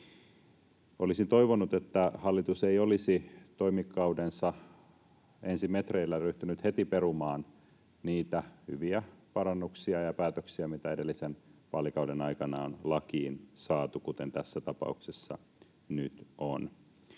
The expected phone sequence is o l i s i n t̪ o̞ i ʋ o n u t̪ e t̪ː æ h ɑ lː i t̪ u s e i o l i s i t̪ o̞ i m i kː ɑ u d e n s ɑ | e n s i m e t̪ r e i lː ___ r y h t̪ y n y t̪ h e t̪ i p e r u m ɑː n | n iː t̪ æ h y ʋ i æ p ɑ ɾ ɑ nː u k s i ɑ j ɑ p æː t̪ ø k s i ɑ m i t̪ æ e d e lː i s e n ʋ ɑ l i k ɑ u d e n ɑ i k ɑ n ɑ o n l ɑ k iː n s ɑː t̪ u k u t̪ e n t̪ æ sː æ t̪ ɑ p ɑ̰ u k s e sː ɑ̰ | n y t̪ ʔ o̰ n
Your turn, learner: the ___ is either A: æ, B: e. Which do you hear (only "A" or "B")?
A